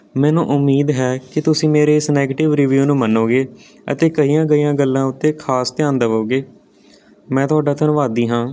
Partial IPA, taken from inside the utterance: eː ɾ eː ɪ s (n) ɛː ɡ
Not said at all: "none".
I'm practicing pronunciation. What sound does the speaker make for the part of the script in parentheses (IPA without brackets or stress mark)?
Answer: n